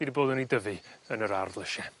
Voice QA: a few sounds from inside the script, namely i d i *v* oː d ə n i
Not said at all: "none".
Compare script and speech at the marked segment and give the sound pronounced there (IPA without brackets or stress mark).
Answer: b